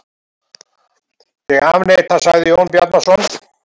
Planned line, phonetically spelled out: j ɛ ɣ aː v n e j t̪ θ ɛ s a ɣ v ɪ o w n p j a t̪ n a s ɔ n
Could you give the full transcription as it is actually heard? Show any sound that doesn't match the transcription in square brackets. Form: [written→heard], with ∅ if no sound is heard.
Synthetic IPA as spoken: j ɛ ɣ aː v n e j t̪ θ [ɛ→a] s a ɣ [v→ð] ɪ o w n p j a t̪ n a s ɔ n